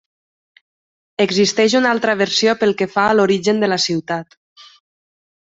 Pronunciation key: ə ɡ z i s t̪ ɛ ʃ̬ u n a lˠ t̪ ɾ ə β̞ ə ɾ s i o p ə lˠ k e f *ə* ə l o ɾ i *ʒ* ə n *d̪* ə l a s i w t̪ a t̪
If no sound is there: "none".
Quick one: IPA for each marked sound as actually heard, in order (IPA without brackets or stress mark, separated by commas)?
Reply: a, ʒ, d̪